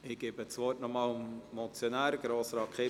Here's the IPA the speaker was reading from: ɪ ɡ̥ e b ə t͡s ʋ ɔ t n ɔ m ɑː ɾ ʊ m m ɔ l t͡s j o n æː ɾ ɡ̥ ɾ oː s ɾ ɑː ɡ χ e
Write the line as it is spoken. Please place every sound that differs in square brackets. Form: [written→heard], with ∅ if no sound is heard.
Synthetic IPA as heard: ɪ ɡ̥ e b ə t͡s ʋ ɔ t n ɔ m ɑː [ɾ→l] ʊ m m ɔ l t͡s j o n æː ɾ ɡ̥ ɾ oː s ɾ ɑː [ɡ→k] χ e